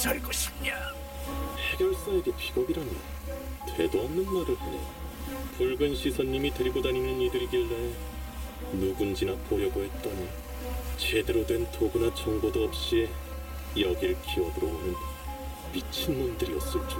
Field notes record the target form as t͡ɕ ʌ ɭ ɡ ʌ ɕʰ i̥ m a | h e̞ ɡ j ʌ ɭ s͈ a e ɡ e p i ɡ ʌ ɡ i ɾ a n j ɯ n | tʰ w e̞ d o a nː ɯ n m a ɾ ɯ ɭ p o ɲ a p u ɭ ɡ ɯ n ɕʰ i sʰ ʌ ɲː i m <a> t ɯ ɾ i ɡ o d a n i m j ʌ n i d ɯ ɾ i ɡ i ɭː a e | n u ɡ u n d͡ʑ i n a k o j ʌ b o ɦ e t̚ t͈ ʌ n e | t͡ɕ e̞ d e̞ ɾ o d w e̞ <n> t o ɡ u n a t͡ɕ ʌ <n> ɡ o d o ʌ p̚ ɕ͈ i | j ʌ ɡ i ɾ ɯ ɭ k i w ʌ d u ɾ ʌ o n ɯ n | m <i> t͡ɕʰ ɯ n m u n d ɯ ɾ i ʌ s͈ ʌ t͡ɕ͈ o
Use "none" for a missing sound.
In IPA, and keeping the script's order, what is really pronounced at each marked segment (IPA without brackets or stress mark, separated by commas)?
i, n, ŋ, i